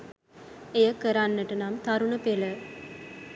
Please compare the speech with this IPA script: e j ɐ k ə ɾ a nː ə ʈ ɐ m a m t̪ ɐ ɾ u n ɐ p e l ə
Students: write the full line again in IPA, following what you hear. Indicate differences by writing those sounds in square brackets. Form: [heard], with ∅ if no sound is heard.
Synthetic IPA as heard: e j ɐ k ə ɾ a nː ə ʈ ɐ [n] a m t̪ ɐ ɾ u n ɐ p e l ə